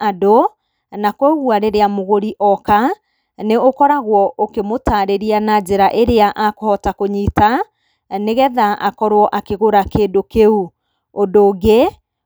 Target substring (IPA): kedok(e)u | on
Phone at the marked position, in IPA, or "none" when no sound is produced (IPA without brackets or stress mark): e